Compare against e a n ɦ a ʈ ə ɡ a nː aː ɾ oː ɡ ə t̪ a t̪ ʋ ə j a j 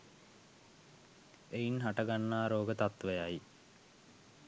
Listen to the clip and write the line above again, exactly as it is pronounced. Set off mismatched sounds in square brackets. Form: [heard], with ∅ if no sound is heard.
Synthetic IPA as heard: e [i] n ɦ a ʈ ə ɡ a nː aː ɾ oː ɡ ə t̪ a t̪ ʋ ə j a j